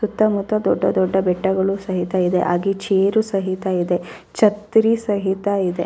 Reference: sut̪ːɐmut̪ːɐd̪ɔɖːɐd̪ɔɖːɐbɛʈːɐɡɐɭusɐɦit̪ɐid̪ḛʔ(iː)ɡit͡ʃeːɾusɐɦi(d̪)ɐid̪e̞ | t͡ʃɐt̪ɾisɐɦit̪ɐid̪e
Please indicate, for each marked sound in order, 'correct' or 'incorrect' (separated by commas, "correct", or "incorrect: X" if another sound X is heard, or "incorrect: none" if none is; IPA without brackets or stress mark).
incorrect: aː, incorrect: t̪